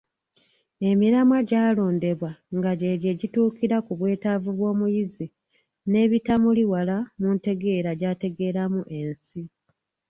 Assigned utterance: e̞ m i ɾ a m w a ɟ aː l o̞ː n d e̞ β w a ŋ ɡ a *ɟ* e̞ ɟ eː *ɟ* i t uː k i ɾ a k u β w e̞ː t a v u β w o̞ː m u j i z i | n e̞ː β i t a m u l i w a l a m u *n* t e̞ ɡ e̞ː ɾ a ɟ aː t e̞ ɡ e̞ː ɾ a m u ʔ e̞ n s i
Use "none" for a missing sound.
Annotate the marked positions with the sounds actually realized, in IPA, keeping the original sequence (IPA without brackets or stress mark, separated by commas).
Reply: ɟ, ɟ, n